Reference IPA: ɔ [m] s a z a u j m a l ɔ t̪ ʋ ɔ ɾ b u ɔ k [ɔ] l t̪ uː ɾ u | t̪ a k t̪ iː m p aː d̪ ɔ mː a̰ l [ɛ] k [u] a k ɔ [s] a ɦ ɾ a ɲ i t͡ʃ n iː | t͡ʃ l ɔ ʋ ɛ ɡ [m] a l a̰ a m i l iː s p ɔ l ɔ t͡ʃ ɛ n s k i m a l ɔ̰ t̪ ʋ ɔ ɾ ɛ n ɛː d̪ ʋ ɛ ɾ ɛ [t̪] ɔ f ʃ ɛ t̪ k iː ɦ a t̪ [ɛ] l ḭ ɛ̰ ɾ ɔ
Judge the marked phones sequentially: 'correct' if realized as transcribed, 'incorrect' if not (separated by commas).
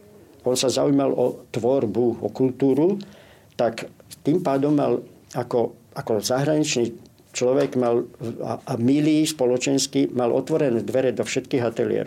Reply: incorrect, incorrect, incorrect, incorrect, incorrect, correct, incorrect, correct